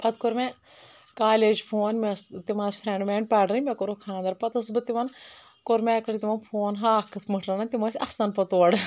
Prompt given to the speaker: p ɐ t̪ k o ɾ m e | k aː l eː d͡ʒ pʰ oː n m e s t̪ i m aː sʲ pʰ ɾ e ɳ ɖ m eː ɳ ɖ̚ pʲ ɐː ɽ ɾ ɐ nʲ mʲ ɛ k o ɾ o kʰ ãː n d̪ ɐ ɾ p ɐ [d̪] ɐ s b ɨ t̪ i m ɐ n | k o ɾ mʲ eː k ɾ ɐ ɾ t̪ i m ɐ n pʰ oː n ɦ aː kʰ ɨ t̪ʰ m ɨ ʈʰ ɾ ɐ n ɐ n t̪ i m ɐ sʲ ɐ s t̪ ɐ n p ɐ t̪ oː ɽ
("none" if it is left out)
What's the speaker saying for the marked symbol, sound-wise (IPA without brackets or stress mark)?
t̪